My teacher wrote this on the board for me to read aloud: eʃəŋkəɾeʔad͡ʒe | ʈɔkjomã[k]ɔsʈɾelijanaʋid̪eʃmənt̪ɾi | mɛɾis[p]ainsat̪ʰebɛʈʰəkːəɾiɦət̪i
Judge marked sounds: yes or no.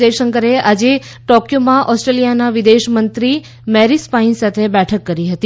no, yes

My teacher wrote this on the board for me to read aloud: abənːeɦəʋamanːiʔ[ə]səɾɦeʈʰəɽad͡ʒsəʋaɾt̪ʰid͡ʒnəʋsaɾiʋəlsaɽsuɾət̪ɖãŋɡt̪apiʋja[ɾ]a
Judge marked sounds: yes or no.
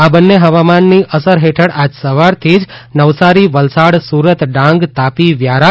yes, yes

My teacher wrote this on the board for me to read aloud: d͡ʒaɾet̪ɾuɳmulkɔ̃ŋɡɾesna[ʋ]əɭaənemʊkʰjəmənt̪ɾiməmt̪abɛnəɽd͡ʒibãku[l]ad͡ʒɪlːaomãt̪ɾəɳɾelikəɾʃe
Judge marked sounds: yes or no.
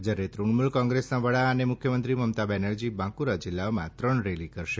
yes, no

